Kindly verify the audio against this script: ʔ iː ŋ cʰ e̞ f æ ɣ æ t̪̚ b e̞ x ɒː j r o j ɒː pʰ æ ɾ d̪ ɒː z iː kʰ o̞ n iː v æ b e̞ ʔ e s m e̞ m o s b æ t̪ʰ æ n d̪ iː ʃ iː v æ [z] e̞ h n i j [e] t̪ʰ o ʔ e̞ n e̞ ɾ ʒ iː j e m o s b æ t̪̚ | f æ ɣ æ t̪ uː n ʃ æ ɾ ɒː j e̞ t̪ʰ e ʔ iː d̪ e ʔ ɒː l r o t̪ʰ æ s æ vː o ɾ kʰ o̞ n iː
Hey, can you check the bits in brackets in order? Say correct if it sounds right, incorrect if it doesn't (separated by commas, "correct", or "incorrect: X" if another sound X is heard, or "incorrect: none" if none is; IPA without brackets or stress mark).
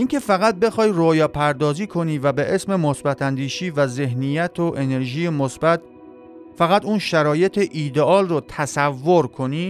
correct, incorrect: æ